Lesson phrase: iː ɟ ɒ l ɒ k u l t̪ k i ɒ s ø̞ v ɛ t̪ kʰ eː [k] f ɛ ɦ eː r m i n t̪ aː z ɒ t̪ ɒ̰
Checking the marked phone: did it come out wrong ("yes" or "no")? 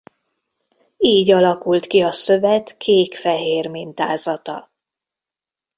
no